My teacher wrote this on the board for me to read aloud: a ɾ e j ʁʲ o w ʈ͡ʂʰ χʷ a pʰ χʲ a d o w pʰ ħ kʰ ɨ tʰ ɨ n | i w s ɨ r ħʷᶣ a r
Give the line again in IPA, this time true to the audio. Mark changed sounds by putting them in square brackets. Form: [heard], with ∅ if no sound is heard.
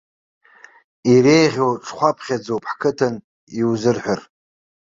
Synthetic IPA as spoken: [i] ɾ e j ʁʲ o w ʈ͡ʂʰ χʷ a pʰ χʲ a [d͡z] o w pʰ ħ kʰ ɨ tʰ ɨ n | i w [z] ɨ r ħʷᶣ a r